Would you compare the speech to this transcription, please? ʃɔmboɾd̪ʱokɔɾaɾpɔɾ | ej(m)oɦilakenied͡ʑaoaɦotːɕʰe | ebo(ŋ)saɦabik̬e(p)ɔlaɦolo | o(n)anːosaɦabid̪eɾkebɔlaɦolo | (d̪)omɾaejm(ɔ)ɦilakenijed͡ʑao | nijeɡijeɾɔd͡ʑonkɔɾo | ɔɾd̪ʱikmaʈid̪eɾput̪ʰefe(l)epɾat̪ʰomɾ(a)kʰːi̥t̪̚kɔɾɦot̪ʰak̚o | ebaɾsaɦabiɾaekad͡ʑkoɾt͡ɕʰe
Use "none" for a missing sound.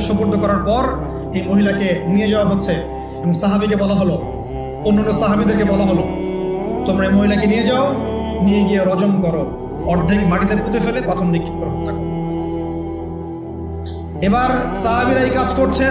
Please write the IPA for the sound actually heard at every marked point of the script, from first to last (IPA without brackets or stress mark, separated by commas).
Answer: m, ŋ, b, nː, t̪, o, l, i